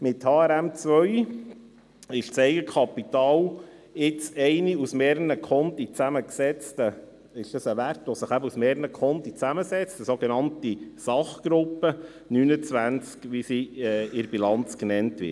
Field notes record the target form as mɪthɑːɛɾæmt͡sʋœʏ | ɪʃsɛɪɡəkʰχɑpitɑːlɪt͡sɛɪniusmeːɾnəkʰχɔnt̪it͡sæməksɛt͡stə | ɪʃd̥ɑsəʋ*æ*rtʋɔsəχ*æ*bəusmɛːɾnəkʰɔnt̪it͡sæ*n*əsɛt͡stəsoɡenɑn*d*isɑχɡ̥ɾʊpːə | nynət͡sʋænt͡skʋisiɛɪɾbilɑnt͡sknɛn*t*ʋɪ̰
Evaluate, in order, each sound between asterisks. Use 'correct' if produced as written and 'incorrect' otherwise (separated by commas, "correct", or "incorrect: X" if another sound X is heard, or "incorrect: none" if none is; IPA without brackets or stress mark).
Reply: correct, correct, incorrect: m, incorrect: t, correct